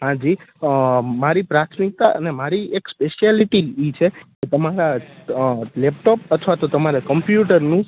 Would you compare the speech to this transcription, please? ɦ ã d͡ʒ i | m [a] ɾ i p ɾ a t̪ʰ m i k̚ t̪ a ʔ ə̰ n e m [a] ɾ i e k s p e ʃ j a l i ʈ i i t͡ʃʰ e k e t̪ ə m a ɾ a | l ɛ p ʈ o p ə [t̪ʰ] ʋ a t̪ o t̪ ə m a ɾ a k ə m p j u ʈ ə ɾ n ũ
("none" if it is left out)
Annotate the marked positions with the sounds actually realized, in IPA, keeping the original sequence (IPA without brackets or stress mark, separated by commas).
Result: a, a, t̪ʰ